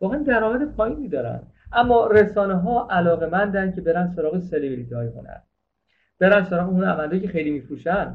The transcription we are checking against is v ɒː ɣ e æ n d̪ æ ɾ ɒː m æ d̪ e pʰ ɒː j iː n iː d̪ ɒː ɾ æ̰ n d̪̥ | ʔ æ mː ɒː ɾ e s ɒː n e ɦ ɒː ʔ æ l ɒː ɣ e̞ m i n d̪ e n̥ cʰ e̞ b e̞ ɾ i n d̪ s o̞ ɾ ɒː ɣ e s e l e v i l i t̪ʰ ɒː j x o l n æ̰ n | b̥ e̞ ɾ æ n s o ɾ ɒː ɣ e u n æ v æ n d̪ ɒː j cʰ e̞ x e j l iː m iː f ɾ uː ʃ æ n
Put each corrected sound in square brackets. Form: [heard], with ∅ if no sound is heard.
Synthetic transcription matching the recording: v ɒː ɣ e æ n d̪ æ ɾ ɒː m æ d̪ e pʰ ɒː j iː n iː d̪ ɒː ɾ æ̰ n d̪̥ | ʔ æ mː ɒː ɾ e s ɒː n e ɦ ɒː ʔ æ l ɒː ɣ e̞ m [æ] n d̪ [æ] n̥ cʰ e̞ b e̞ ɾ [æ] n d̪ s o̞ ɾ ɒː ɣ e s e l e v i l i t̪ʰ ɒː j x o [∅] n æ̰ n | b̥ e̞ ɾ æ n s o ɾ ɒː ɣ e u n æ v æ n d̪ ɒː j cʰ e̞ x e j l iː m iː f ɾ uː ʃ æ n